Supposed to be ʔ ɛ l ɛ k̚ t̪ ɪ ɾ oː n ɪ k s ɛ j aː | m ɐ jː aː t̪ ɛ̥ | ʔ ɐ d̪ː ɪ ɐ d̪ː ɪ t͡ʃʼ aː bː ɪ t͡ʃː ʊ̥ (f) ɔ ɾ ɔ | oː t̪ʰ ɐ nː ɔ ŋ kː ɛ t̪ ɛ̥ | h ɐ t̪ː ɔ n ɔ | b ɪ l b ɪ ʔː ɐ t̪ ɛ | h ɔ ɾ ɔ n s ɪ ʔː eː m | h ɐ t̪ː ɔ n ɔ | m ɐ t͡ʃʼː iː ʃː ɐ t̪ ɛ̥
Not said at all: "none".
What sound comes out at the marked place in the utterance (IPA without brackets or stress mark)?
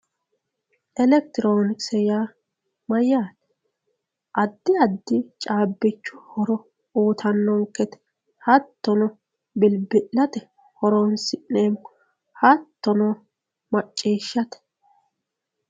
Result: h